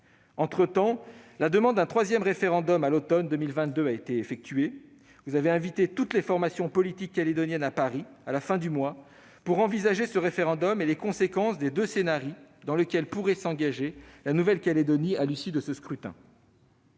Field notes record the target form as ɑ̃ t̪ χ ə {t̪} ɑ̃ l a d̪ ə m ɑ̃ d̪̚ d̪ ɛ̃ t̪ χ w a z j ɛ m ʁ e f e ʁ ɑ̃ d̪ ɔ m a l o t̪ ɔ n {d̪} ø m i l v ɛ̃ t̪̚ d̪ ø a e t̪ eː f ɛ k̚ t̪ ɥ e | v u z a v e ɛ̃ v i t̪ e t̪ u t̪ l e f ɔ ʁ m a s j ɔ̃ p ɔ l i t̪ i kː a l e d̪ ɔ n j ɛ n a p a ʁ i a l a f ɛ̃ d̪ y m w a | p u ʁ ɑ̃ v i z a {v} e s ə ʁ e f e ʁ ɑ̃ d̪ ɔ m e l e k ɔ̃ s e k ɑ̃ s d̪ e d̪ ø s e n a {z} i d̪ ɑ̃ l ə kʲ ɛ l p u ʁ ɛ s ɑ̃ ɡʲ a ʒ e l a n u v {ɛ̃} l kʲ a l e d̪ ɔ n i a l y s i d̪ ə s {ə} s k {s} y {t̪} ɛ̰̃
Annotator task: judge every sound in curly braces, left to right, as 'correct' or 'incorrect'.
correct, correct, incorrect: ʒ, incorrect: ʁ, incorrect: ɛ, correct, incorrect: χ, correct

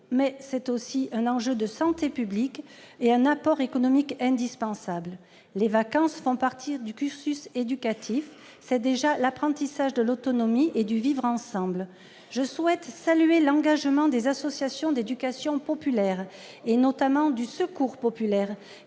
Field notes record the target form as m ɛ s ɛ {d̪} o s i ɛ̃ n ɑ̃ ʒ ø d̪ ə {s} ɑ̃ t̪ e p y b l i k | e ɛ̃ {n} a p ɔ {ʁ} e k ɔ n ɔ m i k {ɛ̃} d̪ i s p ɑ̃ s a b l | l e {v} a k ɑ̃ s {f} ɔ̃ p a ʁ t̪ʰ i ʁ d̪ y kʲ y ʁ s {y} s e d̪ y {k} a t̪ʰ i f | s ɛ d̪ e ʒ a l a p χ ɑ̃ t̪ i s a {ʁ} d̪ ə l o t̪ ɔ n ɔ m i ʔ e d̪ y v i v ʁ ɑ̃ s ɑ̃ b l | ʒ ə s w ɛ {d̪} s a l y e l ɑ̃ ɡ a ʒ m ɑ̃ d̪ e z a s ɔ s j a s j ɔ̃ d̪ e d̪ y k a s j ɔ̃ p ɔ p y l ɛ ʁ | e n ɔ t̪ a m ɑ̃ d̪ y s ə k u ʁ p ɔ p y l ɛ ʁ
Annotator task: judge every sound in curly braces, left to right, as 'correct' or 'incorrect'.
incorrect: t̪, correct, correct, correct, correct, correct, correct, correct, correct, incorrect: ʒ, incorrect: t̪

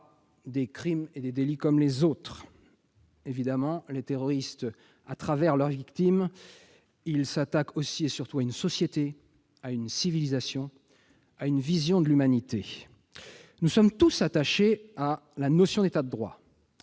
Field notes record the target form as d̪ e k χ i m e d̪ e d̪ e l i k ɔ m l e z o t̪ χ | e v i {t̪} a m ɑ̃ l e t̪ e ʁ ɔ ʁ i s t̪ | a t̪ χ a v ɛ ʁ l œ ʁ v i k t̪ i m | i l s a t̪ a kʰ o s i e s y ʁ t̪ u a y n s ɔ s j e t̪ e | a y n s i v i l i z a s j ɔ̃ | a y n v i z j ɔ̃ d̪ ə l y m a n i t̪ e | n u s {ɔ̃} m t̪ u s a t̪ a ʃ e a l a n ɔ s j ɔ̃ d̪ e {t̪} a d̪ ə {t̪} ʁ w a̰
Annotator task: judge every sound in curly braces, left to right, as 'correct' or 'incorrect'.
incorrect: d̪, incorrect: ɔ, correct, incorrect: d̪

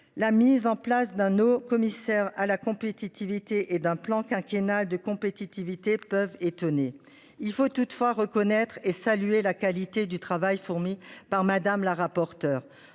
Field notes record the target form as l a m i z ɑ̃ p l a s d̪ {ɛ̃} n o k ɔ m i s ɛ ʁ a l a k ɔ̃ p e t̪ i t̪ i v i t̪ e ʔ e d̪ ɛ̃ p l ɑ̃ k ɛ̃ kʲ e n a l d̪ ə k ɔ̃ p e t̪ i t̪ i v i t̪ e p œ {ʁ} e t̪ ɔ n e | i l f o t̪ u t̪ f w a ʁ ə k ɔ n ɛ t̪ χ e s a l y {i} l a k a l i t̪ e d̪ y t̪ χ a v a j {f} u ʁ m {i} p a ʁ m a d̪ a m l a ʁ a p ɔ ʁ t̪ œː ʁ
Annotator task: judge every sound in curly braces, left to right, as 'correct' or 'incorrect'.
correct, incorrect: v, incorrect: e, correct, correct

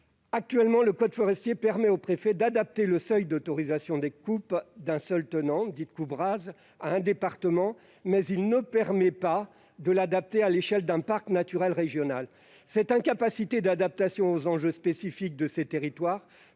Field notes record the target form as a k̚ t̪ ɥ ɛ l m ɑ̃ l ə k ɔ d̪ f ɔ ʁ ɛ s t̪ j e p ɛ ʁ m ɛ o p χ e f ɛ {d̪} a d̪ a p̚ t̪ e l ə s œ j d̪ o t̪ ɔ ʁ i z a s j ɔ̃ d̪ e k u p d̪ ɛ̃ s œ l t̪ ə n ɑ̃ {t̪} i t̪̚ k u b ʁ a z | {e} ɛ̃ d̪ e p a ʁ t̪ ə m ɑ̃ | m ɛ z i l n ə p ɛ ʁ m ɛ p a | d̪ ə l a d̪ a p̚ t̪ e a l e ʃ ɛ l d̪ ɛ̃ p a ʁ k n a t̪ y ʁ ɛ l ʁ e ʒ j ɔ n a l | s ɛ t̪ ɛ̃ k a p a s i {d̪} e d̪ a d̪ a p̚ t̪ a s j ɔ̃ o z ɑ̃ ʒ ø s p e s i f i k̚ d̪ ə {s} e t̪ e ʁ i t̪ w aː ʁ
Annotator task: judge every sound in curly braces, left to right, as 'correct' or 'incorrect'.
correct, incorrect: d̪, incorrect: a, incorrect: t̪, correct

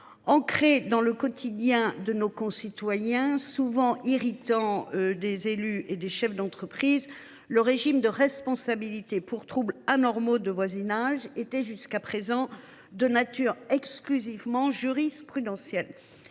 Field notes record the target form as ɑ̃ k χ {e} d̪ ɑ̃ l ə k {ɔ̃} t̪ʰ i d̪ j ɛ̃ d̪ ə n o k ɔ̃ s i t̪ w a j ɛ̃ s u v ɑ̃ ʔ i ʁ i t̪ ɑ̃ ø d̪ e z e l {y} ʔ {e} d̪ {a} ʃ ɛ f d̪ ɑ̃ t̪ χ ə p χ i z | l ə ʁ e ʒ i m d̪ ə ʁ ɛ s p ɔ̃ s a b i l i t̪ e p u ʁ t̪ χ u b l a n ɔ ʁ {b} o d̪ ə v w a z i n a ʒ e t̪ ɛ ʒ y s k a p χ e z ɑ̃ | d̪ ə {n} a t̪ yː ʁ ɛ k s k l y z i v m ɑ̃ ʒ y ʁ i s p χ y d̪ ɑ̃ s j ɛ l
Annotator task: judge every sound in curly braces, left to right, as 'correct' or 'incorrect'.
correct, incorrect: ɔ, correct, correct, incorrect: e, incorrect: m, correct

